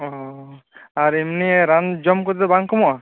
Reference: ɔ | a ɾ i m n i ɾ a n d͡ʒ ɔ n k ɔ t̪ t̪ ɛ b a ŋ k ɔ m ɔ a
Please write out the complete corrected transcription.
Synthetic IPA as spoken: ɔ | a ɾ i m n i ɾ a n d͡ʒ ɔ m k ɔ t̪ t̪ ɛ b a ŋ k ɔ m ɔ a